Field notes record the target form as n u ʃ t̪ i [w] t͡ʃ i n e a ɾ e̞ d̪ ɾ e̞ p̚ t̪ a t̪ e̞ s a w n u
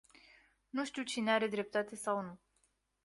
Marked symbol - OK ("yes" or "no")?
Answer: yes